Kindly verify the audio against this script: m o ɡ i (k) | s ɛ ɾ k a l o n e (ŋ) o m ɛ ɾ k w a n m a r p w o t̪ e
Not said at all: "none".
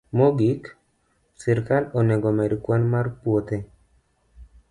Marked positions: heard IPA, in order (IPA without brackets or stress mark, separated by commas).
k, ɡ